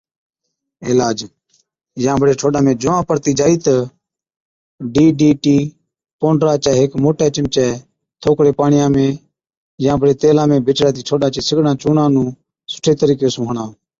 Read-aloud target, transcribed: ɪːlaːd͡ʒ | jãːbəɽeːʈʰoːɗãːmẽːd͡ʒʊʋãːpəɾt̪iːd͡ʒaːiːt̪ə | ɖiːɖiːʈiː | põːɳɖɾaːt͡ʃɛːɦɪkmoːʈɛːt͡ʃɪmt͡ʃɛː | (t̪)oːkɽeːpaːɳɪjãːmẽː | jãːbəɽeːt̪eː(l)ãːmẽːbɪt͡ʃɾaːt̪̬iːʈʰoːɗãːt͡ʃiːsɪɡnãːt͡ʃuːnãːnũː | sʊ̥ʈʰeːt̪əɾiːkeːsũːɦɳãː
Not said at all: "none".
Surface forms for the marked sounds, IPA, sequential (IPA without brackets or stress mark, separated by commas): t̪ʰ, l